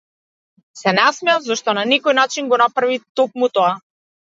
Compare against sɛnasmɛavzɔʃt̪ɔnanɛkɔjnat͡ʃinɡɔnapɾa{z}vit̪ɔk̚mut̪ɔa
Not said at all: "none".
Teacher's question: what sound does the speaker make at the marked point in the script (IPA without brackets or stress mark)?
none